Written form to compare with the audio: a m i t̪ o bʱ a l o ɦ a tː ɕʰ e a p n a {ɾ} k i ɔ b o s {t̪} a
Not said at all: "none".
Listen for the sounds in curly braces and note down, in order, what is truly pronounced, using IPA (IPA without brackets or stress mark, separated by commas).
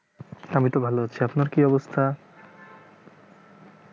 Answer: ɾ, t̪ʰ